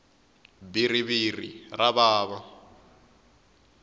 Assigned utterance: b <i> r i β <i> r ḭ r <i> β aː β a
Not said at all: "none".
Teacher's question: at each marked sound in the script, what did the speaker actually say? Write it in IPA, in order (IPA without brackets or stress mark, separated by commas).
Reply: i, i, a